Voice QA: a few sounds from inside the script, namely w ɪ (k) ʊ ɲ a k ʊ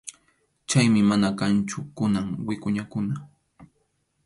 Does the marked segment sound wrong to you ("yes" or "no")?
no